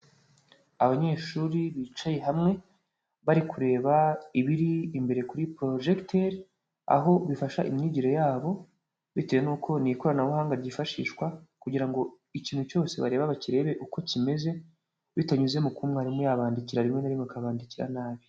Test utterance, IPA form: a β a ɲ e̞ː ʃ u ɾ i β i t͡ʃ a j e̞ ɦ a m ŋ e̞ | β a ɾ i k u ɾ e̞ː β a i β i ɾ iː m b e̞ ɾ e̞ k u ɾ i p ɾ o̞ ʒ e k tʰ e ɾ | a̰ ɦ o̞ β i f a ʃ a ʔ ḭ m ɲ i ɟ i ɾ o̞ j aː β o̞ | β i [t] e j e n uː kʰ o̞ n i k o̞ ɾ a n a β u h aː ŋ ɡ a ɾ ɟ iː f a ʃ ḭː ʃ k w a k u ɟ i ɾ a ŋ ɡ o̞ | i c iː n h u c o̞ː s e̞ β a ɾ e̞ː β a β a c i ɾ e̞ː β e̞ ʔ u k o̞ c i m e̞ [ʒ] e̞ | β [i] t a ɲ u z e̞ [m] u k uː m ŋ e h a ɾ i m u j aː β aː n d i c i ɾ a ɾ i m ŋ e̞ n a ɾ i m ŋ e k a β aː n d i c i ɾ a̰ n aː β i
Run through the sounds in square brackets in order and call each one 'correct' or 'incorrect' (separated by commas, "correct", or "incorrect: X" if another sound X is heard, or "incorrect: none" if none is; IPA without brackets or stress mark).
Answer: correct, incorrect: z, correct, correct